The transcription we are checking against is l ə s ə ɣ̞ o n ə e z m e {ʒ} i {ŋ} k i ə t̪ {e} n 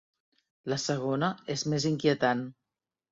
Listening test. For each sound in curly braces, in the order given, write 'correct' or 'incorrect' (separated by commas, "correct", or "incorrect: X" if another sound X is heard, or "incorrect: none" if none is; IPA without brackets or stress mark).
incorrect: z, correct, incorrect: a